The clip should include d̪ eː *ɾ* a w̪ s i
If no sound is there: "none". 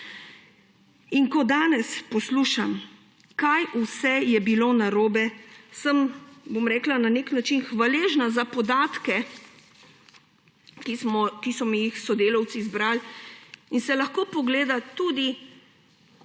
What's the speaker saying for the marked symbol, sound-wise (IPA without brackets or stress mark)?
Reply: l